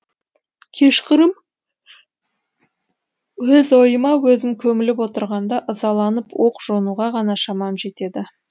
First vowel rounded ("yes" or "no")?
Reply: no